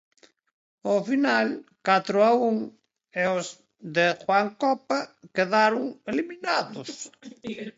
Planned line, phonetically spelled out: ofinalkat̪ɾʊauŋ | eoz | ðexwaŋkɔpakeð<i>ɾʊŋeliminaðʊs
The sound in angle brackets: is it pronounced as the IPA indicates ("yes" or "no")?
no